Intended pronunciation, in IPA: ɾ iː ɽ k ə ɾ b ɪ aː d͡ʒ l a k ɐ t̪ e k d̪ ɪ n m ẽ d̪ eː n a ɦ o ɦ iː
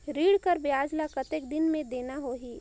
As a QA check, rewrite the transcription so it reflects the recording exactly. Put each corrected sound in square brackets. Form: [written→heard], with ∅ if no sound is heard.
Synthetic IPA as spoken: ɾ iː ɽ k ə ɾ b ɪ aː d͡ʒ l a k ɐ t̪ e k d̪ ɪ n m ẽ d̪ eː n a ɦ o ɦ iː